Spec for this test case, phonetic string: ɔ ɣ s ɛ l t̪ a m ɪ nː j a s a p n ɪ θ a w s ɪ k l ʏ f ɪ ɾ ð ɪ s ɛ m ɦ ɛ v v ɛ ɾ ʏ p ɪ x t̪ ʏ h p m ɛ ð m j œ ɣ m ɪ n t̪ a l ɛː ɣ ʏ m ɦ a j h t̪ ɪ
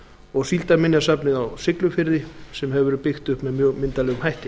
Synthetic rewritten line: ɔ ɣ s i l t̪ a m ɪ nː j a s a p n ɪ ð a w s ɪ k l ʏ f ɪ ɾ ð ɪ s ɛ m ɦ ɛ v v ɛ ɾ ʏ p ɪ x t̪ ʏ h p m ɛ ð m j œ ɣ m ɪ n t̪ a l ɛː ɣ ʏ m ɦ a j h t̪ ɪ